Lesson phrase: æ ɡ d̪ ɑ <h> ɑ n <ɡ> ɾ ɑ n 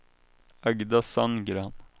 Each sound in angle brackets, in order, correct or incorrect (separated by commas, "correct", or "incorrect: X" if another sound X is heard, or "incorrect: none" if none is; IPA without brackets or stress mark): incorrect: s, correct